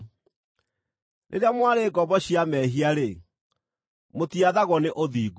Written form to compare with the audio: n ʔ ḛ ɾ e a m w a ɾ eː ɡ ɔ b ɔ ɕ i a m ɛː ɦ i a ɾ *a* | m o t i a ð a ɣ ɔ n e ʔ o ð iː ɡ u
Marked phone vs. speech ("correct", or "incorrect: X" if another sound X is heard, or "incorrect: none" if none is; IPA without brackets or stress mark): incorrect: e